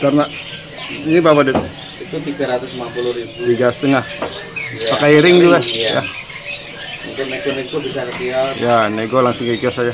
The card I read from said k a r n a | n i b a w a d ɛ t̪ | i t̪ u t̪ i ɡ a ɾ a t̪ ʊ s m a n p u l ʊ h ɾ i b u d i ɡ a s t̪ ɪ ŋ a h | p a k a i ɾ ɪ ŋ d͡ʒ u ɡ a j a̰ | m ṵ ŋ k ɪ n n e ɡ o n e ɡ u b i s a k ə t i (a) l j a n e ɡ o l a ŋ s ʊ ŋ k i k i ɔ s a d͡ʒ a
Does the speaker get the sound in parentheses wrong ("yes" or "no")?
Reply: no